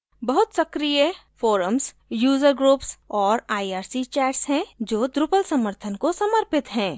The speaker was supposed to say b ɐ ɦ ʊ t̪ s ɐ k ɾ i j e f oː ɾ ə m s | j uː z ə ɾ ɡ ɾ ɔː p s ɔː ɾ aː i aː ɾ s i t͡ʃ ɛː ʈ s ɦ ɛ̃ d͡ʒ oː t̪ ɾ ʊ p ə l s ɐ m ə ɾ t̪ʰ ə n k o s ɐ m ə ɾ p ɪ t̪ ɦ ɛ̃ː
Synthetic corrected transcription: b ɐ ɦ ʊ t̪ s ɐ k ɾ i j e f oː ɾ ə m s | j uː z ə ɾ ɡ ɾ uː p s ɔː ɾ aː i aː ɾ s i t͡ʃ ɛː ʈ s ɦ ɛ̃ d͡ʒ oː d̪ ɾ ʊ p ə l s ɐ m ə ɾ t̪ʰ ə n k o s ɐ m ə ɾ p ɪ t̪ ɦ ɛ̃ː

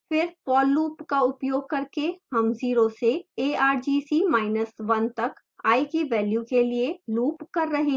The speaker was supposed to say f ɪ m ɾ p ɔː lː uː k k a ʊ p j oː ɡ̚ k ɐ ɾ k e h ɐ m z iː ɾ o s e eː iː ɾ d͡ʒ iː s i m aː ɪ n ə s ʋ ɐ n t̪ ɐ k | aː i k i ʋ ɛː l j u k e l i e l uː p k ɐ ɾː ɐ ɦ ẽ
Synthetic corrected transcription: f ɪ ɾ p ɔː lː uː p k a ʊ p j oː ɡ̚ k ɐ ɾ k e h ɐ m z iː ɾ o s e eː aː ɾ d͡ʒ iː s i m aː ɪ n ə s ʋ ɐ n t̪ ɐ k | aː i k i ʋ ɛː l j u k e l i e l uː p k ɐ ɾː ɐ ɦ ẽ

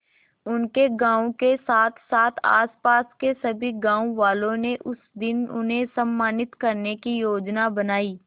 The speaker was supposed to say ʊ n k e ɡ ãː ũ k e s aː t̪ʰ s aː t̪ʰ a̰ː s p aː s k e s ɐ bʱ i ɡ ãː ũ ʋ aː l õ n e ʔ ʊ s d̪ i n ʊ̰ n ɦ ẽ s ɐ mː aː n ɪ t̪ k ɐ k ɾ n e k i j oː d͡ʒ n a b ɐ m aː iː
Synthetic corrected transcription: ʊ n k e ɡ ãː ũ k e s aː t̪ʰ s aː t̪ʰ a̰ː s p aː s k e s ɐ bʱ i ɡ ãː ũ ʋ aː l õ n e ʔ ʊ s d̪ ɪ n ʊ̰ n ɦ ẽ s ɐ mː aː n ɪ t̪ k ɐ ɾ n e k i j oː d͡ʒ n a b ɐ n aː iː

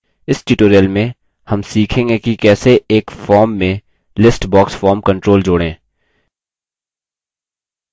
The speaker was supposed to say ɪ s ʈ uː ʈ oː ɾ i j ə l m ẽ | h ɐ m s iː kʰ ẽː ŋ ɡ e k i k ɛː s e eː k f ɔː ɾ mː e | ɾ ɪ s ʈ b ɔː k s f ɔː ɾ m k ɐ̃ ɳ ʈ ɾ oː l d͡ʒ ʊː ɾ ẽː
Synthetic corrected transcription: ɪ s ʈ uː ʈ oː ɾ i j ə l m ẽ | h ɐ m s iː kʰ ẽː ŋ ɡ e k i k ɛː s e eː k f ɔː ɾ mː ẽ | l ɪ s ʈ b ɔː k s f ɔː ɾ m k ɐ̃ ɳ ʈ ɾ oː l d͡ʒ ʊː ɽ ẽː

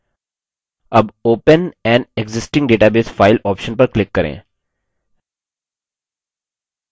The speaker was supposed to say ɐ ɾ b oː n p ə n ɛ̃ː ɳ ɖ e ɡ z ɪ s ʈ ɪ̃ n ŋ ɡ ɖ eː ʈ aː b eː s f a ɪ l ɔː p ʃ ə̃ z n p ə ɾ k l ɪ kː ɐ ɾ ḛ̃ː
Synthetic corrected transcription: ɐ b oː p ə n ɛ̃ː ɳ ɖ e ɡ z ɪ s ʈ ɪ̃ ŋ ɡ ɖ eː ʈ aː b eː s f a ɪ l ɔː p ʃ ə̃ n p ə ɾ k l ɪ kː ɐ ɾ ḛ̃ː

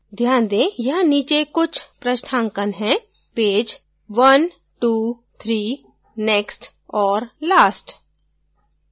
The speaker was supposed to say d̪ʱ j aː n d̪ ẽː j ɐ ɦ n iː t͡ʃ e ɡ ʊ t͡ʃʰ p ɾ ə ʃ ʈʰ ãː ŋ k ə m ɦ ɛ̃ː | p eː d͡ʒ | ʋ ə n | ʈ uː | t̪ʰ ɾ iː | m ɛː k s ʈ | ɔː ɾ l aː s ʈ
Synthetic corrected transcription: d̪ʱ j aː n d̪ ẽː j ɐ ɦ n iː t͡ʃ e k ʊ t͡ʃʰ p ɾ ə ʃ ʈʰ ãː ŋ k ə n ɦ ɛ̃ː | p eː d͡ʒ | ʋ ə n | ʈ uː | t̪ʰ ɾ iː | n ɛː k s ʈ | ɔː ɾ l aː s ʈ

